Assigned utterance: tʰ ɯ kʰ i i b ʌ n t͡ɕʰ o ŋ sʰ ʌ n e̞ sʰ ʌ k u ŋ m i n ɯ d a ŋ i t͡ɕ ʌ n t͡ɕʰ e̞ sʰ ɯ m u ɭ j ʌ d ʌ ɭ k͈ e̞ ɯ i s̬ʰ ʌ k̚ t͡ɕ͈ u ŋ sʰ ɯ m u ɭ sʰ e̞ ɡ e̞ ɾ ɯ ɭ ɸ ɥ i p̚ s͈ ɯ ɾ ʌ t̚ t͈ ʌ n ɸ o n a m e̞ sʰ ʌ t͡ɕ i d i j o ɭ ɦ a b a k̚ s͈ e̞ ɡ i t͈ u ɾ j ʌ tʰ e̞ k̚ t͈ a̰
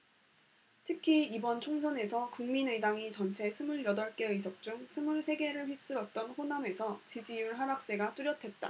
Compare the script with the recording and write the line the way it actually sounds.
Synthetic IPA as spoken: tʰ ɯ kʰ i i b ʌ n t͡ɕʰ o ŋ sʰ ʌ n e̞ sʰ ʌ k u ŋ m i n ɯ d a ŋ i t͡ɕ ʌ n t͡ɕʰ e̞ sʰ ɯ m u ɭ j ʌ d ʌ ɭ k͈ e̞ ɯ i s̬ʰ ʌ k̚ t͡ɕ͈ u ŋ sʰ ɯ m u ɭ sʰ e̞ ɡ e̞ ɾ ɯ ɭ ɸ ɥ i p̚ s͈ ɯ ɾ ʌ t̚ t͈ ʌ n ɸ o n a m e̞ sʰ ʌ t͡ɕ i d͡ʑ i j u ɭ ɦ a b a k̚ s͈ e̞ ɡ a t͈ u ɾ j ʌ tʰ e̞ t̚ t͈ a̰